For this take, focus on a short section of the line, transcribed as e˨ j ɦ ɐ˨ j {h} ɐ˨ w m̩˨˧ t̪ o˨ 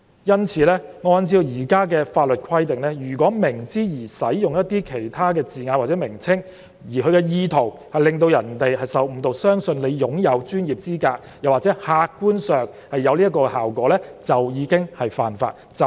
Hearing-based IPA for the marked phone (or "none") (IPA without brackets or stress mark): s